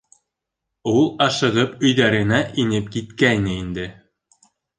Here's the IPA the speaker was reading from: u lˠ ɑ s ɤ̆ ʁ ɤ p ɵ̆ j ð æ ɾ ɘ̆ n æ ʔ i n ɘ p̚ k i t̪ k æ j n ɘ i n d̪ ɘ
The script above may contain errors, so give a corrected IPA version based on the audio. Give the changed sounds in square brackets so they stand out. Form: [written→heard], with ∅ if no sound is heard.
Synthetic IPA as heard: u lˠ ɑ [s→ʃ] ɤ̆ ʁ ɤ p ɵ̆ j ð æ ɾ ɘ̆ n æ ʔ i n ɘ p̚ k i t̪ k æ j n ɘ i n d̪ ɘ